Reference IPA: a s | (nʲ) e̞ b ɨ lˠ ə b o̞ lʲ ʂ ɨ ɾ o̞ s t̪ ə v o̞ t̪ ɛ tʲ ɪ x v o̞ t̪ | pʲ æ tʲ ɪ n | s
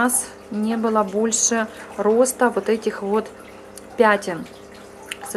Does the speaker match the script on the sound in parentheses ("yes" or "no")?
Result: yes